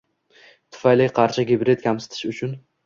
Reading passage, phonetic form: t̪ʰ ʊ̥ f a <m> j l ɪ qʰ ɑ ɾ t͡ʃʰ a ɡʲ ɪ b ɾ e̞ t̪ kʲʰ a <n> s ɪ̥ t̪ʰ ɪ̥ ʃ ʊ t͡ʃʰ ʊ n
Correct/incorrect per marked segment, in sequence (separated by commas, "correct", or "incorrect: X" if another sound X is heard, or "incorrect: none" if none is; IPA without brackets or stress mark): incorrect: none, incorrect: m